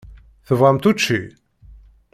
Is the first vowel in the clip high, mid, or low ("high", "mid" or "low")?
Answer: mid